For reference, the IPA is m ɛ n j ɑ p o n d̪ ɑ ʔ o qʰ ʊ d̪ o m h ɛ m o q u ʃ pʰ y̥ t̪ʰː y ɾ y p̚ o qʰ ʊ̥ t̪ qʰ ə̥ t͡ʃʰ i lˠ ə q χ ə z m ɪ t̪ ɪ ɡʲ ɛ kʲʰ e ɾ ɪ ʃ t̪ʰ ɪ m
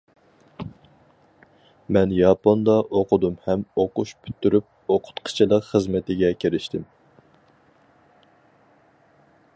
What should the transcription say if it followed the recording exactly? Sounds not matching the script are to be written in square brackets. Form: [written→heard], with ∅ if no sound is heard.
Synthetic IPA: m ɛ n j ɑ p o n d̪ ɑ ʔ o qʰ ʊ d̪ [o→u] m h ɛ m o q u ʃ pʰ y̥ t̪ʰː y ɾ y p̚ o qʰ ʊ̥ t̪ qʰ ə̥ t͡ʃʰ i lˠ ə q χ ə z m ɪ t̪ ɪ ɡʲ ɛ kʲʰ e ɾ ɪ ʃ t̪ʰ ɪ m